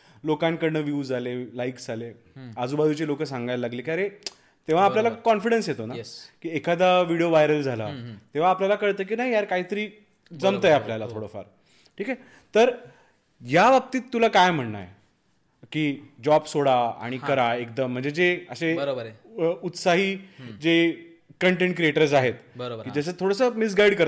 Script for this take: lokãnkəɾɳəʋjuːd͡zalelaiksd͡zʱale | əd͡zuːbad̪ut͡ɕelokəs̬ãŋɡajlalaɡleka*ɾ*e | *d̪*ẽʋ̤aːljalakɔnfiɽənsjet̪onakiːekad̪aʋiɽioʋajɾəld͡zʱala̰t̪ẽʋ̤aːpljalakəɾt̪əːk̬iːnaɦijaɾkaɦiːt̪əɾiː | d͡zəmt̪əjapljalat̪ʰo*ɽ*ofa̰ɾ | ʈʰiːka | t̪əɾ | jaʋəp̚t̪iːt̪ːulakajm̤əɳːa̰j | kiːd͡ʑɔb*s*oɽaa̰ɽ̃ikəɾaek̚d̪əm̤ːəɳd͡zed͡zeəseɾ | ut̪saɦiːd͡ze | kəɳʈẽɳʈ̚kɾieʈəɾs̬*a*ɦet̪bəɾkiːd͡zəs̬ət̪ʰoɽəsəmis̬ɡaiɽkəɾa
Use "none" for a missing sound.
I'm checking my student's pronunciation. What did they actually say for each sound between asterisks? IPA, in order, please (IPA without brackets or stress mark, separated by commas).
ɾ, t̪, ɽ, s, a